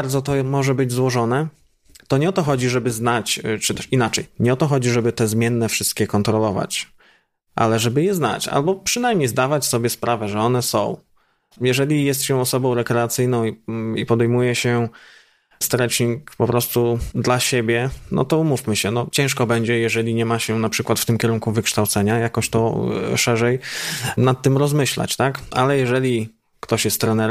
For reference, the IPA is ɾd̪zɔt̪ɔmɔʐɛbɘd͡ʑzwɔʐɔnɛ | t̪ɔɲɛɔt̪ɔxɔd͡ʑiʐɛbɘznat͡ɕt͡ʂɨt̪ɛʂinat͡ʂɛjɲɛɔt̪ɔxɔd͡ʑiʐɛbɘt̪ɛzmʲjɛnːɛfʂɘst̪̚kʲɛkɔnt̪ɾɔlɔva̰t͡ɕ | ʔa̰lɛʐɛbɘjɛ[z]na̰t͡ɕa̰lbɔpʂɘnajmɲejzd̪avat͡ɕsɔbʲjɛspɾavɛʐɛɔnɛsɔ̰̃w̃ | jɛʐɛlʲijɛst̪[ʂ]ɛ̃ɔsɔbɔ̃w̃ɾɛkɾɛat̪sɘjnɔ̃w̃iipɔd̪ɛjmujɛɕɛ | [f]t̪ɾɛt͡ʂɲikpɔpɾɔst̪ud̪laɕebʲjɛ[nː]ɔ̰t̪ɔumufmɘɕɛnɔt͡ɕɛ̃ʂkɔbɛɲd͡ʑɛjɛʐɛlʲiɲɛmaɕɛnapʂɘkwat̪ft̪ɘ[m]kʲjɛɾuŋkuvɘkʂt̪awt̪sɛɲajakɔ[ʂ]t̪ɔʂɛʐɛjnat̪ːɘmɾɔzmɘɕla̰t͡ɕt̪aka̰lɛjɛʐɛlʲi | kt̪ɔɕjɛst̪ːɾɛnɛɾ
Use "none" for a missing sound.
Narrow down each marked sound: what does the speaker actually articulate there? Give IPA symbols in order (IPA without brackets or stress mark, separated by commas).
z, ɕ, s, n, m, ɕ